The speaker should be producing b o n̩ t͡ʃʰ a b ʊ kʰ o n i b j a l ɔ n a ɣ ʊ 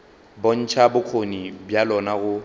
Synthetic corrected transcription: b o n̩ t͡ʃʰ a b ʊ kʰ o n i b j a l ɔ n a ɣ ʊ